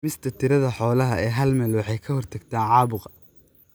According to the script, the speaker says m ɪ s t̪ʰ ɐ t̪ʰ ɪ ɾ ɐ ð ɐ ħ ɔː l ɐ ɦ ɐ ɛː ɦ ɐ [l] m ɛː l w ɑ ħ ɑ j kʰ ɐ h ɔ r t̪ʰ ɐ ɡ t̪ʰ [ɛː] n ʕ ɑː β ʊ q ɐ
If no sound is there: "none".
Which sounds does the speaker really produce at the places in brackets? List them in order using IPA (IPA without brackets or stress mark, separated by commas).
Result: l, aː